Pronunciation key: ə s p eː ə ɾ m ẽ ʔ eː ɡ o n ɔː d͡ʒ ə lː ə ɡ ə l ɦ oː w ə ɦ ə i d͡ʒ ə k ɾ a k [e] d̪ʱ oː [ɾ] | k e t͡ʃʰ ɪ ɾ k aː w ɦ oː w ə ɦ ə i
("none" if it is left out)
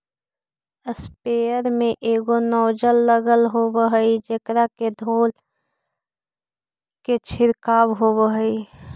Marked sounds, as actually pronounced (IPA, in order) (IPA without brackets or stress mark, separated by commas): e, l